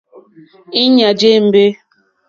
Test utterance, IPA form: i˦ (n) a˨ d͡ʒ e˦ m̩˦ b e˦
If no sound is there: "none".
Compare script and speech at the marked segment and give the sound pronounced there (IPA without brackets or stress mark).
ɲ